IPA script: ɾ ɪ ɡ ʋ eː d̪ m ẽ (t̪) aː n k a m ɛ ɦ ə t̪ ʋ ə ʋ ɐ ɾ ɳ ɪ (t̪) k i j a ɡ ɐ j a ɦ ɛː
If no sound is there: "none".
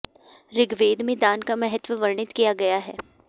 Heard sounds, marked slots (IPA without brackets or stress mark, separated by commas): d̪, t̪